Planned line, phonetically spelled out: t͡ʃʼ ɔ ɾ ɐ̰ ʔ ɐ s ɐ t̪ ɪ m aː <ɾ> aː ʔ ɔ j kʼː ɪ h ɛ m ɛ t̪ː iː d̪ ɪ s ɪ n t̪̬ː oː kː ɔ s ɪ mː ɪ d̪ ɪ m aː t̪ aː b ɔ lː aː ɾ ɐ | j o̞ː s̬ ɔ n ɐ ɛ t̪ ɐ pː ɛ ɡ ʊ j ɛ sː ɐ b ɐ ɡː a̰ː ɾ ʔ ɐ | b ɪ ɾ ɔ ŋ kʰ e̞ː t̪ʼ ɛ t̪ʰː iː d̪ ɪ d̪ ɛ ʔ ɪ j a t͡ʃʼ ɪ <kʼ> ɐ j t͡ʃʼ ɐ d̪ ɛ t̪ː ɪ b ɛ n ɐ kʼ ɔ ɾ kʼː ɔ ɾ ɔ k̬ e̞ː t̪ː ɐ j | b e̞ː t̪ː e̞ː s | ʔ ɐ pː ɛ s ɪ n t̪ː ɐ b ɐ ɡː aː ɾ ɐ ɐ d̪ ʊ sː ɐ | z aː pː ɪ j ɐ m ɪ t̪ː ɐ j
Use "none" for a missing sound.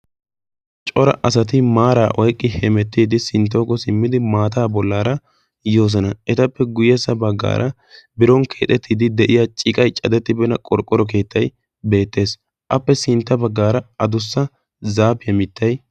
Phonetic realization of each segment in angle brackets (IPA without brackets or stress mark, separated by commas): ɾ, kʼ